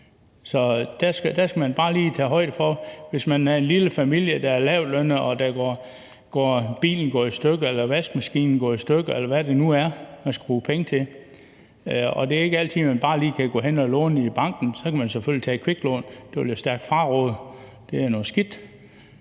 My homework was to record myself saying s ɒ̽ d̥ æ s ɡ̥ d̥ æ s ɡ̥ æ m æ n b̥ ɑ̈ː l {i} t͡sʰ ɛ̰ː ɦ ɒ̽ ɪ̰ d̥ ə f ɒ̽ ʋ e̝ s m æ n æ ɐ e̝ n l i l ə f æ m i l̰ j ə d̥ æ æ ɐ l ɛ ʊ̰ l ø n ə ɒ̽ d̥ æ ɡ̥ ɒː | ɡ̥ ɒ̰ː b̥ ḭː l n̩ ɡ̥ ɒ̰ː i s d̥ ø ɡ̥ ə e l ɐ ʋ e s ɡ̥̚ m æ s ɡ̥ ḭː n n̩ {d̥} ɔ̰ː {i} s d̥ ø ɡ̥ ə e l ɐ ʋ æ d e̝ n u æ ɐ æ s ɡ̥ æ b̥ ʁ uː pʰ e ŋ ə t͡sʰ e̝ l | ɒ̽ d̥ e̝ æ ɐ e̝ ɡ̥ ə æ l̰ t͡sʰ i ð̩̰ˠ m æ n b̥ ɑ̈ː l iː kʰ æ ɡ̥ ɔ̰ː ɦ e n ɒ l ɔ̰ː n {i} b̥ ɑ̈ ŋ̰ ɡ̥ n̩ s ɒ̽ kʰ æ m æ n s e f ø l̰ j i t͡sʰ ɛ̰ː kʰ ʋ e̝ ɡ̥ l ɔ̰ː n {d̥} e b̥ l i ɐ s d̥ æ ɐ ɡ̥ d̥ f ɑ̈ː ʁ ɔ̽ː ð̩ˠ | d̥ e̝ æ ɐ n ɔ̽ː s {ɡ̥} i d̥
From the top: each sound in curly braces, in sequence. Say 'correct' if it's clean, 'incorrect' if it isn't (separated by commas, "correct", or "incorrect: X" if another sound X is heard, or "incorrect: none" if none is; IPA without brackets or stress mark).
incorrect: iː, incorrect: ɡ̥, correct, correct, correct, correct